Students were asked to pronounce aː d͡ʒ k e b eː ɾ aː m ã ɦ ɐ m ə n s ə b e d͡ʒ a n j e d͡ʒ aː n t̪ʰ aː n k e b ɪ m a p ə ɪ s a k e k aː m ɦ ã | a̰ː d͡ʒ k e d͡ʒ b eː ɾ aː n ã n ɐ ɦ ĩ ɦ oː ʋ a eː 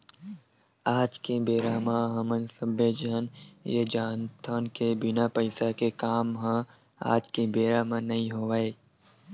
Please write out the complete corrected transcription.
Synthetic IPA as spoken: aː d͡ʒ k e b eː ɾ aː m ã ɦ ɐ m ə n s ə b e d͡ʒ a n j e d͡ʒ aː n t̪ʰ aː n k e b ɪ n a p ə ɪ s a k e k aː m ɦ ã | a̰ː d͡ʒ k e b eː ɾ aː m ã n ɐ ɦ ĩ ɦ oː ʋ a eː